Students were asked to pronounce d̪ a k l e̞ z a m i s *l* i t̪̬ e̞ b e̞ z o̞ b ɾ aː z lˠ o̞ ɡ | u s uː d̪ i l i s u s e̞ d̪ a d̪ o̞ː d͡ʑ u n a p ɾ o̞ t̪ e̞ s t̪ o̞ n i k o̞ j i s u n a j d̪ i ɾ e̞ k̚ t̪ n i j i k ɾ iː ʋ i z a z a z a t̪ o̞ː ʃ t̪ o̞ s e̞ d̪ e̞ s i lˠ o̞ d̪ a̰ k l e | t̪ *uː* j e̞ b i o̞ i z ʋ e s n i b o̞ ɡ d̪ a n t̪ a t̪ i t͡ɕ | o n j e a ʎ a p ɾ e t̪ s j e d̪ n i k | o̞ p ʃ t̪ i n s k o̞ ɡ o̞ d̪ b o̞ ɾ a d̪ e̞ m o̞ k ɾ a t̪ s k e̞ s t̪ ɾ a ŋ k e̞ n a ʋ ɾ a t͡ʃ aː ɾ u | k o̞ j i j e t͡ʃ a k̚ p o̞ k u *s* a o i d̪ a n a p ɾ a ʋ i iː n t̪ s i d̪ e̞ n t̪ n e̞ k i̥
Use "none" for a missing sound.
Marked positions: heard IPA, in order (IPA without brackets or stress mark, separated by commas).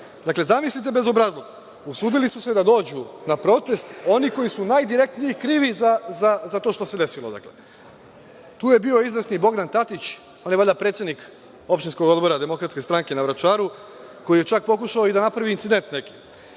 l, uː, ʃ